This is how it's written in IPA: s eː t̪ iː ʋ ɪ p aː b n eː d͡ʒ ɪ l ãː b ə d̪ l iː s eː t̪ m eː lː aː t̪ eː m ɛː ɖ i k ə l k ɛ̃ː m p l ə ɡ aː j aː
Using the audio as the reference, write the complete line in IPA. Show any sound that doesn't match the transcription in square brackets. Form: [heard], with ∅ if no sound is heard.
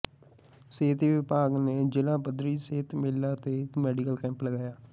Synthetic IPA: s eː t̪ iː ʋ ɪ p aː [ɡ] n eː d͡ʒ ɪ l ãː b ə d̪ [ɾ] iː s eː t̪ m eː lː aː t̪ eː m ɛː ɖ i k ə l k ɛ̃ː m p l ə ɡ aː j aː

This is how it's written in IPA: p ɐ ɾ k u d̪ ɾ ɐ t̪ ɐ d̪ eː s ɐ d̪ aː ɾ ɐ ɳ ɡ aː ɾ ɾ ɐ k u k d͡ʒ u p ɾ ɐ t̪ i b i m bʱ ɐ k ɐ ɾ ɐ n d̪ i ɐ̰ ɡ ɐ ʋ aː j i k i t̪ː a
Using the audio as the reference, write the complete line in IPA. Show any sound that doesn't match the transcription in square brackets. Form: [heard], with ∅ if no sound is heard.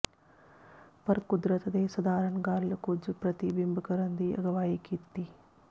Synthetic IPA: p ɐ ɾ k u d̪ ɾ ɐ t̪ ɐ d̪ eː s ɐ d̪ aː ɾ ɐ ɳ ɡ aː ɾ [l] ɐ k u [∅] d͡ʒ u p ɾ ɐ t̪ i b i m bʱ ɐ k ɐ ɾ ɐ n d̪ i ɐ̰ ɡ ɐ ʋ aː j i k i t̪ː [i]

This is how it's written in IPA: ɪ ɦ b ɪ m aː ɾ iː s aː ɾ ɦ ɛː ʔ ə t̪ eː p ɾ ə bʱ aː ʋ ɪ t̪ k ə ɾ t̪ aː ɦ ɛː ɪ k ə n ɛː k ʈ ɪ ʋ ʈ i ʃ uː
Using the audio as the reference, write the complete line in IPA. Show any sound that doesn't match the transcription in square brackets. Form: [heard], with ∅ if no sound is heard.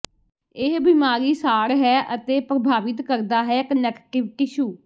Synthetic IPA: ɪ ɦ b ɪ m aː ɾ iː s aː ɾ ɦ ɛː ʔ ə t̪ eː p ɾ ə bʱ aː ʋ ɪ t̪ k ə ɾ [d̪] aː ɦ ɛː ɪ k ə n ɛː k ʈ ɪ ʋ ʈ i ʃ uː

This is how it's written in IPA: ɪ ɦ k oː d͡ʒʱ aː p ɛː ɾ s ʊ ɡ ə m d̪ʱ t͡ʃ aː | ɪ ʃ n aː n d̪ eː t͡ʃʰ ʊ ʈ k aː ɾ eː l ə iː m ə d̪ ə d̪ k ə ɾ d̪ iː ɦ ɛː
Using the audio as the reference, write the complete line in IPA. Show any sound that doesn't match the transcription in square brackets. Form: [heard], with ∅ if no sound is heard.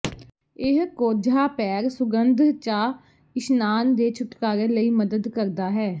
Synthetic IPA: ɪ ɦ k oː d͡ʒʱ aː p ɛː ɾ s ʊ ɡ ə [n] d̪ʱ t͡ʃ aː | ɪ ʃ n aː n d̪ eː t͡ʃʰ ʊ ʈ k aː ɾ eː l ə iː m ə d̪ ə d̪ k ə ɾ d̪ [aː] ɦ ɛː

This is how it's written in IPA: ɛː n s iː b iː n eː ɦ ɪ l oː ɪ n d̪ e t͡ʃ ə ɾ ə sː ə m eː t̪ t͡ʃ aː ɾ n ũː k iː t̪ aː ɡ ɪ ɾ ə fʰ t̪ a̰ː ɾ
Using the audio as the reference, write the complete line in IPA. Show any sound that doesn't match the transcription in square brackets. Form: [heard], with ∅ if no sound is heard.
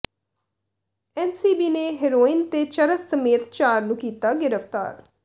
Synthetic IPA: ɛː n s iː b iː n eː ɦ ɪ [ɾ] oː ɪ n [t̪] e t͡ʃ ə ɾ ə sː ə m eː t̪ t͡ʃ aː ɾ n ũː k iː t̪ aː ɡ ɪ ɾ ə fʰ t̪ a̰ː ɾ

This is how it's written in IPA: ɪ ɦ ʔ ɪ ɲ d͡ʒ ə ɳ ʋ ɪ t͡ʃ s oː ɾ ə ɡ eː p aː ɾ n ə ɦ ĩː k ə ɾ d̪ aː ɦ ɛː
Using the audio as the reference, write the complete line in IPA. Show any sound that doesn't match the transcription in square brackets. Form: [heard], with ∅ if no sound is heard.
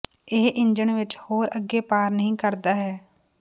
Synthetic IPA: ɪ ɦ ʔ ɪ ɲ d͡ʒ ə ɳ ʋ ɪ t͡ʃ [h] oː ɾ ə ɡ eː p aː ɾ n ə ɦ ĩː k ə ɾ d̪ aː ɦ ɛː

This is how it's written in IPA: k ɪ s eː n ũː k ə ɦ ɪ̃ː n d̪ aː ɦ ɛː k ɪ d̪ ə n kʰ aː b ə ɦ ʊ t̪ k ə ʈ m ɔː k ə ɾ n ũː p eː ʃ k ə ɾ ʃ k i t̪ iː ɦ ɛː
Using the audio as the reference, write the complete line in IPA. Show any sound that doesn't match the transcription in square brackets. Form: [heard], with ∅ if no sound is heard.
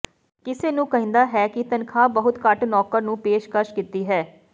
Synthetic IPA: k ɪ s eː n ũː k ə ɦ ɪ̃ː n d̪ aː ɦ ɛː k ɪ [t̪] ə n kʰ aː b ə ɦ ʊ t̪ k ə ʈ [n] ɔː k ə ɾ n ũː p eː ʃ k ə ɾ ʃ k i t̪ iː ɦ ɛː

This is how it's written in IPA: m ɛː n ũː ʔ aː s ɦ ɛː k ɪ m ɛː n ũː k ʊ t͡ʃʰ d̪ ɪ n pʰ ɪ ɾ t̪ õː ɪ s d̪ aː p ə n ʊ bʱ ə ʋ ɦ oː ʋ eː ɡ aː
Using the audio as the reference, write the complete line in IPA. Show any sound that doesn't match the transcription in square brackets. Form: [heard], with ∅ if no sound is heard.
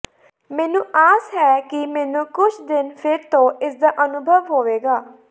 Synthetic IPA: m ɛː n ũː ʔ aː s ɦ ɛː k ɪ m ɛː n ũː k ʊ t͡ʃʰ d̪ ɪ n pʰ ɪ ɾ t̪ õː ɪ s d̪ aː [ʔ] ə n ʊ bʱ ə ʋ ɦ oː ʋ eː ɡ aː

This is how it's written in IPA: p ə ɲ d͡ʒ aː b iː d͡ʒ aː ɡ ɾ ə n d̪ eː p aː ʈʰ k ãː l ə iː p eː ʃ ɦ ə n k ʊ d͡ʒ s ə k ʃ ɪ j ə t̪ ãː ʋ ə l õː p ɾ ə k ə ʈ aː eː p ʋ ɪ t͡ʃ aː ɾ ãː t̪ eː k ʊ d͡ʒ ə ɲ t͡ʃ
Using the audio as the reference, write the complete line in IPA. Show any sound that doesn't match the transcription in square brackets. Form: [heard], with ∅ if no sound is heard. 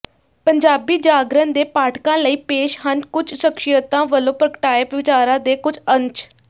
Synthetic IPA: p ə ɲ d͡ʒ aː b iː d͡ʒ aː ɡ ɾ ə n d̪ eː p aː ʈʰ k ãː l ə iː p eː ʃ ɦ ə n k ʊ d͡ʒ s ə k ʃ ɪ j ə t̪ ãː ʋ ə l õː p ɾ ə k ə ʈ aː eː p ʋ ɪ t͡ʃ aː ɾ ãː [d̪] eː k ʊ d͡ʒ ə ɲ t͡ʃ

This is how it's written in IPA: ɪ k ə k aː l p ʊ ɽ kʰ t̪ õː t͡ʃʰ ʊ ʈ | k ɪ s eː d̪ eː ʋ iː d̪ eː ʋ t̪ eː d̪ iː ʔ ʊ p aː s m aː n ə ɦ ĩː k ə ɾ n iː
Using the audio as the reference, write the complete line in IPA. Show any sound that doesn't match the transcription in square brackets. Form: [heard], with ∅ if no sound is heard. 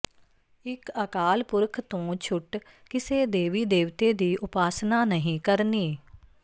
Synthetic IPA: ɪ k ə k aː l p ʊ [ɾ] kʰ t̪ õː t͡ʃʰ ʊ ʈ | k ɪ s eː d̪ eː ʋ iː d̪ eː ʋ t̪ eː d̪ iː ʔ ʊ p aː s [n] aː n ə ɦ ĩː k ə ɾ n iː

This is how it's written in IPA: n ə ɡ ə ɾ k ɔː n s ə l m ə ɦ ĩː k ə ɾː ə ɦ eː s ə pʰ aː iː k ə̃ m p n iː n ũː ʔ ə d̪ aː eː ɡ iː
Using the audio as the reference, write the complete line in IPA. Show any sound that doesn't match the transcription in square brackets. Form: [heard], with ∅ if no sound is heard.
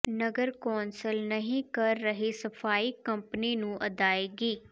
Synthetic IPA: n ə ɡ ə ɾ k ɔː n s ə l [n] ə ɦ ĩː k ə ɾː ə ɦ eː s ə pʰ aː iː k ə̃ m p n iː n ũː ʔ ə d̪ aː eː ɡ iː

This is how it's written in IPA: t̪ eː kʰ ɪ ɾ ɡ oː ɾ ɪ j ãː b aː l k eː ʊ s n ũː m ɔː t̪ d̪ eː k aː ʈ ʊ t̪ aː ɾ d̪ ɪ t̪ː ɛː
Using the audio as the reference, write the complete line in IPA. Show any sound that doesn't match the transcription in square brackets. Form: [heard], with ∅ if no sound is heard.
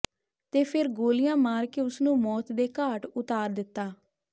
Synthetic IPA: t̪ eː [pʰ] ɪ ɾ ɡ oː [l] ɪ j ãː [m] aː [ɾ] k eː ʊ s n ũː m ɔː t̪ d̪ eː k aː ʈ ʊ t̪ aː ɾ d̪ ɪ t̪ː [aː]

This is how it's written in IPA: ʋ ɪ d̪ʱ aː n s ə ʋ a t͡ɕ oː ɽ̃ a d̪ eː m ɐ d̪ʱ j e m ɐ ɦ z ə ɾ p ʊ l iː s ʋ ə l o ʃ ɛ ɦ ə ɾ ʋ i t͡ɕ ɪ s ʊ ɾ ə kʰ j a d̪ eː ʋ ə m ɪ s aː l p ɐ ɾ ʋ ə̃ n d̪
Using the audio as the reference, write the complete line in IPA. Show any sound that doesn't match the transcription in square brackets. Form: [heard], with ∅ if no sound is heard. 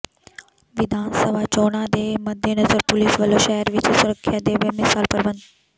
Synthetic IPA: ʋ ɪ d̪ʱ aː n s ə ʋ a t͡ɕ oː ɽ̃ a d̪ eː m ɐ d̪ʱ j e [n] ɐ [∅] z ə ɾ p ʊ l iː s ʋ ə l o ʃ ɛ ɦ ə ɾ ʋ [ɪ] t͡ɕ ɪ s ʊ ɾ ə kʰ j a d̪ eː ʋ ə m ɪ s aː l p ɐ ɾ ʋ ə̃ n d̪

